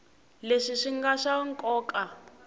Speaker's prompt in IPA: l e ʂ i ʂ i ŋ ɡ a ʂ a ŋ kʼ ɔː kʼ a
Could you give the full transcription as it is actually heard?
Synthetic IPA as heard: l e ʂ i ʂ i ŋ ɡ a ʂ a ŋ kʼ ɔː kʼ a